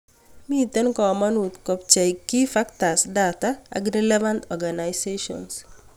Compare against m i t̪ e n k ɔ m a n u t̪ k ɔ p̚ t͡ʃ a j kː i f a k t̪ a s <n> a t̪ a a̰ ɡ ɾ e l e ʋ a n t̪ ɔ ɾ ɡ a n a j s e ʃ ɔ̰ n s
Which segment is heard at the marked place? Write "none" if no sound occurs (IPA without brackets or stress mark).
d